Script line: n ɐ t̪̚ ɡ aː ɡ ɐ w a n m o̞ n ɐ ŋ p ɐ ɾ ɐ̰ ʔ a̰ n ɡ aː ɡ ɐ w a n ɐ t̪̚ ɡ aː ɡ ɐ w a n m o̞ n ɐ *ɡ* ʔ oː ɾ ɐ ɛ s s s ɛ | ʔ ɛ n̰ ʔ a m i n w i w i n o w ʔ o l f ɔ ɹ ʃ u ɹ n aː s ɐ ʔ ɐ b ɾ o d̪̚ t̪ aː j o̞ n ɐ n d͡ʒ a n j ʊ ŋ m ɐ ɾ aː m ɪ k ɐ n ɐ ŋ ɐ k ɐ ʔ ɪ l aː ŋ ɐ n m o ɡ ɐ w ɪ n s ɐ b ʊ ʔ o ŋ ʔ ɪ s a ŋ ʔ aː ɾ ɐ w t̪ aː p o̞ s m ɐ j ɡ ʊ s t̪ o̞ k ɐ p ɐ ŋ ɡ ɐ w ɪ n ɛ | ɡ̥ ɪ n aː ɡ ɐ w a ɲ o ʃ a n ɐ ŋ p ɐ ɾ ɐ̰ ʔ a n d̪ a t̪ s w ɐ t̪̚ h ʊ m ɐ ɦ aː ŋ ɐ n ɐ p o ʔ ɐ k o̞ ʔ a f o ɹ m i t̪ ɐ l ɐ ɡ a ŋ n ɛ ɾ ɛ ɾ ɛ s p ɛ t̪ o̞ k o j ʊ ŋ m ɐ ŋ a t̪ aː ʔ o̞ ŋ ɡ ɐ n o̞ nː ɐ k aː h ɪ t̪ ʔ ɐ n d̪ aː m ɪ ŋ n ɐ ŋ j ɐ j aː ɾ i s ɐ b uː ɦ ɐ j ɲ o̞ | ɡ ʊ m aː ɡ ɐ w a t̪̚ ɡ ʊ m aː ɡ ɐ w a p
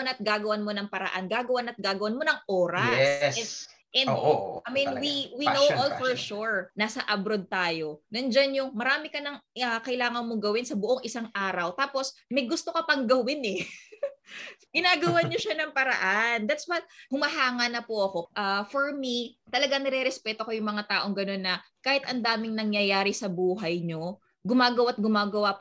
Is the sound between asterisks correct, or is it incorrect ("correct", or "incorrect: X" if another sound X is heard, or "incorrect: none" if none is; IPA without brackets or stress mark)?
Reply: incorrect: ŋ